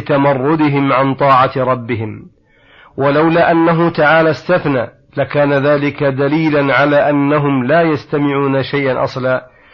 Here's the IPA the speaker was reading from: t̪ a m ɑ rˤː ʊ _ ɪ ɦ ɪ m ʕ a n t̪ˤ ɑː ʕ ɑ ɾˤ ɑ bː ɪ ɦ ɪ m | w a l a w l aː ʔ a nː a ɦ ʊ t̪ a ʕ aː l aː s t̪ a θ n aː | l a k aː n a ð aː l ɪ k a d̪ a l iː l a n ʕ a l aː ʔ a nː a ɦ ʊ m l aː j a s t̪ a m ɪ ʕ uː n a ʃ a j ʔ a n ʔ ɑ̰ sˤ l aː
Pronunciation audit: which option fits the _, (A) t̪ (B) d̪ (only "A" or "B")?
B